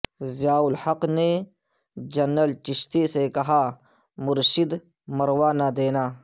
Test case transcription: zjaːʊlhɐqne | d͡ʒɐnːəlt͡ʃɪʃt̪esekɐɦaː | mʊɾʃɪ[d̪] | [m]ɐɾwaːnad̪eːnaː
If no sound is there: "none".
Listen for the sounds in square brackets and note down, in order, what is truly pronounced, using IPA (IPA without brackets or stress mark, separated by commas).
d̪, m